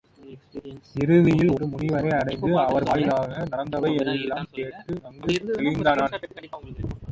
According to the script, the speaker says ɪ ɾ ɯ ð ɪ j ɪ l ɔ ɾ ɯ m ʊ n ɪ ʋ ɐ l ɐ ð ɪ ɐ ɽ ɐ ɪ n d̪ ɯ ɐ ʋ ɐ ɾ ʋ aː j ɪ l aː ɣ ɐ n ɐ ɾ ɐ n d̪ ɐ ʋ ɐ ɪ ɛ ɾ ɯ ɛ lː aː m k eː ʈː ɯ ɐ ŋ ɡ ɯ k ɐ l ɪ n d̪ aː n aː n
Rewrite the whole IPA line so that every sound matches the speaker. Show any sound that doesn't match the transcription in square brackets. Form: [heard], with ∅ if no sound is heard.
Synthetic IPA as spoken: ɪ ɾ ɯ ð ɪ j ɪ l ɔ ɾ ɯ m ʊ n ɪ ʋ ɐ [ɾ] ɐ [∅] ɪ ɐ ɽ ɐ ɪ n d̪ ɯ ɐ ʋ ɐ ɾ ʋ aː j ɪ l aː ɣ ɐ n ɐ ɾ ɐ n d̪ ɐ ʋ ɐ ɪ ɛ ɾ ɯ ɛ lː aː m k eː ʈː ɯ ɐ ŋ ɡ ɯ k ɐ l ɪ n d̪ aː n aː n